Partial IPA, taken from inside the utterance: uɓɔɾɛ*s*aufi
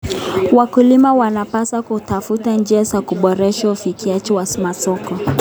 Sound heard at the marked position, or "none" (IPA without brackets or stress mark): ʃ